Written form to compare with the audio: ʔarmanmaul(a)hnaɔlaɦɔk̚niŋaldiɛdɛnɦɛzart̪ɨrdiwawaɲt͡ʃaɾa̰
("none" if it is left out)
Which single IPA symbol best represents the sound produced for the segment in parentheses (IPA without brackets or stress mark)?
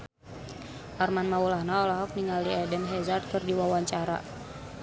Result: a